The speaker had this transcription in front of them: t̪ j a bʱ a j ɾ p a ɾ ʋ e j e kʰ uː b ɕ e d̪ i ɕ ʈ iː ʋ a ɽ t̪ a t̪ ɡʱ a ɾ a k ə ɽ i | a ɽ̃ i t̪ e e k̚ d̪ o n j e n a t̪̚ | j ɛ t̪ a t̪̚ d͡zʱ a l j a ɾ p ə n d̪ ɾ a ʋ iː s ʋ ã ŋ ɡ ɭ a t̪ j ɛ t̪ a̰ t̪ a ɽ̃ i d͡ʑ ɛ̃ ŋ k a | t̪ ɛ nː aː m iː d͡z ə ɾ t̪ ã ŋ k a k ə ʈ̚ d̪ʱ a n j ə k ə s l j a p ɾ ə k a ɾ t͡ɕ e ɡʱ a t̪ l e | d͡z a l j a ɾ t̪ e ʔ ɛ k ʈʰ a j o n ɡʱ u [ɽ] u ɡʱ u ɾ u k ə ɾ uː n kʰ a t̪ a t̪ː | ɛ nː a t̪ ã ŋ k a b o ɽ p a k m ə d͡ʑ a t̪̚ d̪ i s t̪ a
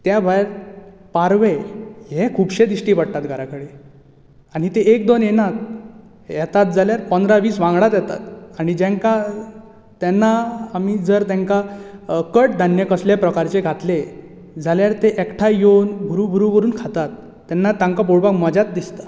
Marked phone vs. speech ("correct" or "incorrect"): incorrect